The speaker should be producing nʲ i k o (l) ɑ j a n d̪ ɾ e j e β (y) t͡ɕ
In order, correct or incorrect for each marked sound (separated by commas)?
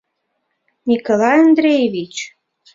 correct, incorrect